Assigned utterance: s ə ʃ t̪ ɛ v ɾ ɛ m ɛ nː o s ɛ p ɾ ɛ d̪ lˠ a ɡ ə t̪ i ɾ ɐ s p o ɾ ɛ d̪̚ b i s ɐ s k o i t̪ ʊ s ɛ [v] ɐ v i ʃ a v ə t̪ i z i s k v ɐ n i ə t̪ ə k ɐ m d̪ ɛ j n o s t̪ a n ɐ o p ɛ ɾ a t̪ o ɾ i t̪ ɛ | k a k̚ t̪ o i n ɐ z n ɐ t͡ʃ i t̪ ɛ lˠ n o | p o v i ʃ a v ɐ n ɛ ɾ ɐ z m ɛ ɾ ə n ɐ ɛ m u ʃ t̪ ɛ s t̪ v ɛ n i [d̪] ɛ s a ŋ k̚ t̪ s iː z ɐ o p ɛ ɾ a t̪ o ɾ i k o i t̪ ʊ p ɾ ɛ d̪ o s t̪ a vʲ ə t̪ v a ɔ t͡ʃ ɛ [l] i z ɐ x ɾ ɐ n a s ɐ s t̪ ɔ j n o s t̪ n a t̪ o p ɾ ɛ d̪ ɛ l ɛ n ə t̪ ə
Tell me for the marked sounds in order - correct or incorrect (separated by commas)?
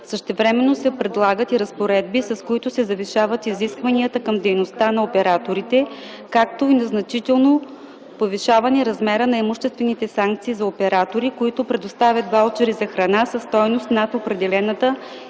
incorrect, incorrect, incorrect